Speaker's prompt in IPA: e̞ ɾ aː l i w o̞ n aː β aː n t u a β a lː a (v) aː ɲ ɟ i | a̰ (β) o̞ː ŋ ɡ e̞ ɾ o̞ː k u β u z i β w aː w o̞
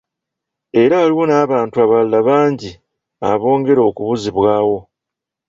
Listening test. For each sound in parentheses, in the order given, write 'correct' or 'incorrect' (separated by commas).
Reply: incorrect, correct